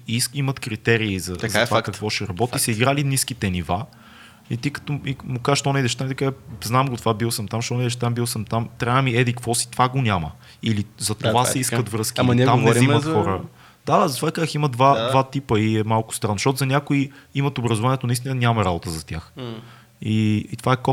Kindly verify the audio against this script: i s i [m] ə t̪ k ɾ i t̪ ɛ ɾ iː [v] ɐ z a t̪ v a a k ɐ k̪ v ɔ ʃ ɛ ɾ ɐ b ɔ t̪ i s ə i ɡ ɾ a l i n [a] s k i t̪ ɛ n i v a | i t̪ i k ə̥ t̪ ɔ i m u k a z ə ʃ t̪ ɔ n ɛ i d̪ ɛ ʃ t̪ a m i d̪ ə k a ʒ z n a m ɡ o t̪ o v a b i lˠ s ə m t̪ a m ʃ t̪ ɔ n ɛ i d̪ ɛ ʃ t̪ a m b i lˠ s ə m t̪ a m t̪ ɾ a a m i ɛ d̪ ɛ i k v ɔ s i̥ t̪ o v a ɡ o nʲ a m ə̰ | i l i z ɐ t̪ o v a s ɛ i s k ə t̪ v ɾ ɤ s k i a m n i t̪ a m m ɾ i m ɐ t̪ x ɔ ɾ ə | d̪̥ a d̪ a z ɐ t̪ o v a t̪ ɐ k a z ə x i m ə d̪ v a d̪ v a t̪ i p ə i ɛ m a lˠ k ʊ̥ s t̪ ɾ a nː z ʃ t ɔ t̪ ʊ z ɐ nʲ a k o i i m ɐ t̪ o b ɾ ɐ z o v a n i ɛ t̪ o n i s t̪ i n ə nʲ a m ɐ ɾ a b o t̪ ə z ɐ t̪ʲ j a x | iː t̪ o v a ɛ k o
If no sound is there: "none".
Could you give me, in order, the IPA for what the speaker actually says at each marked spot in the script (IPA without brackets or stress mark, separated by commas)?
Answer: m, z, i